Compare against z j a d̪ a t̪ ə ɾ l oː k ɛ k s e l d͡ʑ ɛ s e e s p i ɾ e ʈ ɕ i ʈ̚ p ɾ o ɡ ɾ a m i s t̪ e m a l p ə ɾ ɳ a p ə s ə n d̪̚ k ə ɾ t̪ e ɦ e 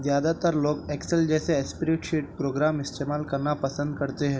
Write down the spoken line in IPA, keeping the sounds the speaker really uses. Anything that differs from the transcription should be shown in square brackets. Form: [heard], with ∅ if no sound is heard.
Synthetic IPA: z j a d̪ a t̪ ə ɾ l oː k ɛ k s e l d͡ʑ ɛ s e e s p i ɾ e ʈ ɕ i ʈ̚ p ɾ o ɡ ɾ a m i s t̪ e m a l [k] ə ɾ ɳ a p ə s ə n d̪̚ k ə ɾ t̪ e ɦ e